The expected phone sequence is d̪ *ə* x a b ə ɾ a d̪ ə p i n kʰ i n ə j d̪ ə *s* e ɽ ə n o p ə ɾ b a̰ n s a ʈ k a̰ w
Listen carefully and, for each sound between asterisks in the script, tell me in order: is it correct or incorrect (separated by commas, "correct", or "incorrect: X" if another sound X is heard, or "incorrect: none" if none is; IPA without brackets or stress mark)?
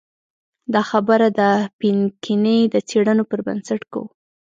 incorrect: ɑ, incorrect: t͡s